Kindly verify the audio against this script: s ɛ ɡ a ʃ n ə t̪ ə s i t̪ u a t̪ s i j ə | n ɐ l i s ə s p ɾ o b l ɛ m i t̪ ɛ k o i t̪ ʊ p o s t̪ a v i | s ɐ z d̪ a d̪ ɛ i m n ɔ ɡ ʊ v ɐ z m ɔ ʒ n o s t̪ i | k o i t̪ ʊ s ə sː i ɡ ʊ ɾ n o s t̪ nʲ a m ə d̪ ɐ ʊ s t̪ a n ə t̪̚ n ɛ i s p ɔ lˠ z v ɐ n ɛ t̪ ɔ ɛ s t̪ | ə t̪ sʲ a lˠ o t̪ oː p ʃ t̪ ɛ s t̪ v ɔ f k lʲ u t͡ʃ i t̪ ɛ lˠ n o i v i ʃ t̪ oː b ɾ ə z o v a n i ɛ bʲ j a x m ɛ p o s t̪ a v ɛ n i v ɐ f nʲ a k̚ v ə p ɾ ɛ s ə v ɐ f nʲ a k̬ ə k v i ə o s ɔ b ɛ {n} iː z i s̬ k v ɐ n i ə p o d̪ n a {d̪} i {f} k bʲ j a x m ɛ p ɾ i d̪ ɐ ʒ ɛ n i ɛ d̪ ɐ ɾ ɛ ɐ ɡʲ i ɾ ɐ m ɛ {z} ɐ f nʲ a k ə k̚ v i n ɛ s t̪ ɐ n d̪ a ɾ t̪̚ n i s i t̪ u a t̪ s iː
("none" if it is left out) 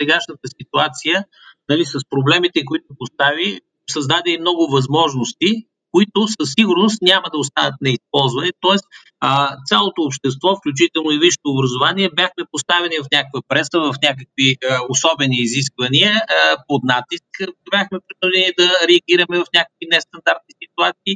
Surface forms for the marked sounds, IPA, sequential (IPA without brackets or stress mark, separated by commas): n, t̪, s, v